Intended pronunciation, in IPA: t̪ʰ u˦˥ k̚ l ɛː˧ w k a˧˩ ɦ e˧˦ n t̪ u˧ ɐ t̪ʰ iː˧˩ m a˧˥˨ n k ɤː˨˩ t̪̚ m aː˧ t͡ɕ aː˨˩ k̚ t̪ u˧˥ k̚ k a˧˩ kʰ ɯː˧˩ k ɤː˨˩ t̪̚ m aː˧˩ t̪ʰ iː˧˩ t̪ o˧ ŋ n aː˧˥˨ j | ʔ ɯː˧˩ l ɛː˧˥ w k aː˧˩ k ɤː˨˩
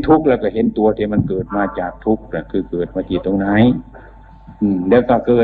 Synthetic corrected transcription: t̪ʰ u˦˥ k̚ l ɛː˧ w k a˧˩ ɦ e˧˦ n t̪ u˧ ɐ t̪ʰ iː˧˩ m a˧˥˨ n k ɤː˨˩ t̪̚ m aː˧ t͡ɕ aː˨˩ k̚ t̪ʰ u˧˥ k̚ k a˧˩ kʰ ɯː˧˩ k ɤː˨˩ t̪̚ m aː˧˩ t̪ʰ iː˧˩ t̪ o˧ ŋ n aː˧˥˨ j | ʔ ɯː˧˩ l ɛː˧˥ w k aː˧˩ k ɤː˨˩

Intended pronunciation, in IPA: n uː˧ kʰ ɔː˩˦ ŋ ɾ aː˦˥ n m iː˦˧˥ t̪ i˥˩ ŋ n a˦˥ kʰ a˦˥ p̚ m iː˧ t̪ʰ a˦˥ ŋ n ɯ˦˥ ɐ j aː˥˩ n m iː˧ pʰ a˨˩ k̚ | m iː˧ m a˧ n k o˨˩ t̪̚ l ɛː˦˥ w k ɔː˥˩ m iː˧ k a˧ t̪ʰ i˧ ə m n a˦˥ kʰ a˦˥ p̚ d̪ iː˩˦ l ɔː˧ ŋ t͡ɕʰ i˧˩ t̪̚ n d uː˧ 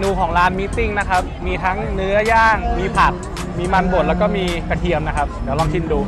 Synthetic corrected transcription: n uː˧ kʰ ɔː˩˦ ŋ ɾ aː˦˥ n m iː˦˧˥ t̪ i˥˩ ŋ n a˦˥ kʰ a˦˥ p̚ m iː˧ t̪ʰ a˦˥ ŋ n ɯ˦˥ ɐ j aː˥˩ ŋ m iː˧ pʰ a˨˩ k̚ | m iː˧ m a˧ n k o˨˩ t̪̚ l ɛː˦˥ w k ɔː˥˩ m iː˧ k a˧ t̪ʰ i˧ ə m n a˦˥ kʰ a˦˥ p̚ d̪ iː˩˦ l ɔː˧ ŋ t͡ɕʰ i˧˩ n d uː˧

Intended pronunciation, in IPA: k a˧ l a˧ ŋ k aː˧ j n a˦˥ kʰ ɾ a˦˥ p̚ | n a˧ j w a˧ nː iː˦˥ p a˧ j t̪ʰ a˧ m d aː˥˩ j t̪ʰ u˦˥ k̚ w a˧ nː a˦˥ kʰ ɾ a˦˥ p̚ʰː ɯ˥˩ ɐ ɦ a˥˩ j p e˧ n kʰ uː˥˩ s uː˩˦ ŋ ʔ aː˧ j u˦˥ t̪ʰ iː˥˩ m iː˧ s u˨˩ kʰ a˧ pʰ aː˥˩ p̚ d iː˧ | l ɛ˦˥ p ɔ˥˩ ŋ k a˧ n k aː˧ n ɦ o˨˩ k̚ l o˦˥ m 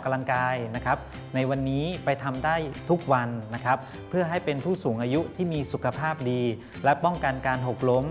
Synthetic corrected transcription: k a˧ l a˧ ŋ k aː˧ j n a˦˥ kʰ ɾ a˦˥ p̚ | n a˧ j w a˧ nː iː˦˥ p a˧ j t̪ʰ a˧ m d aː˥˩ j t̪ʰ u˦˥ k̚ w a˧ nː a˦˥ kʰ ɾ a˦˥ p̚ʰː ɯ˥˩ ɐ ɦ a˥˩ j p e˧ n pʰ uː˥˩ s uː˩˦ ŋ ʔ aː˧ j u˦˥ t̪ʰ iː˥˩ m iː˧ s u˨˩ kʰ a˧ pʰ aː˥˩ p̚ d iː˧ | l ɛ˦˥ p ɔ˥˩ ŋ k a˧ n k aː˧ n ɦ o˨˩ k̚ l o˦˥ m

